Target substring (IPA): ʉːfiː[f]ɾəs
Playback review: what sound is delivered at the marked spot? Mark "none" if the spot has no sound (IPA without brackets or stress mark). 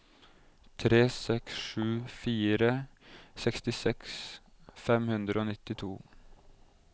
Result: none